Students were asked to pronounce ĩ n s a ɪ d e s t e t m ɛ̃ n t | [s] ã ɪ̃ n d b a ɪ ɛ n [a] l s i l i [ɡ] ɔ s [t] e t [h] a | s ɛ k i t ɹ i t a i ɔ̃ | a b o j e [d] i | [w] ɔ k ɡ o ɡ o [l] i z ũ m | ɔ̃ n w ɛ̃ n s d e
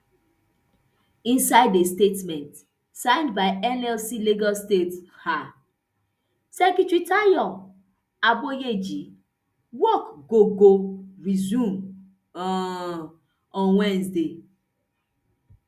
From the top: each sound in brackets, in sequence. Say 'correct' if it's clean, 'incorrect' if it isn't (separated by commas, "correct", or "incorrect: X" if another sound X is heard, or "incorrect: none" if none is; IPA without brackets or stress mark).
correct, incorrect: ɛ, correct, correct, correct, incorrect: d͡ʒ, correct, incorrect: ɹ